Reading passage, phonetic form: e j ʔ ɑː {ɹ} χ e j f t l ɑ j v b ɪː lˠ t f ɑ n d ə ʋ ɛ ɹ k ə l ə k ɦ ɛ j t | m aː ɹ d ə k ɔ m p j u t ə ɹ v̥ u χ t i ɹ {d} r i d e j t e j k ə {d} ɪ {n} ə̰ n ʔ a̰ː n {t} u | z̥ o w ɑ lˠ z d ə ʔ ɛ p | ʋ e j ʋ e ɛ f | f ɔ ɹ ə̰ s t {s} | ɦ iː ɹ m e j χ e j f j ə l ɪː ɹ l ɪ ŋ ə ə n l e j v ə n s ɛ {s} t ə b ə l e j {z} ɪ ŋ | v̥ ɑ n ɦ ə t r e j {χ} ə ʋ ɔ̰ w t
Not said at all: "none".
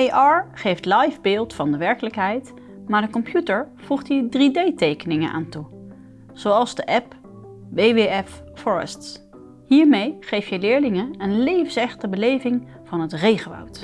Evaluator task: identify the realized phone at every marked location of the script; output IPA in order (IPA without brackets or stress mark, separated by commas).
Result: ɹ, d, n, ŋ, t, s, χ, v, χ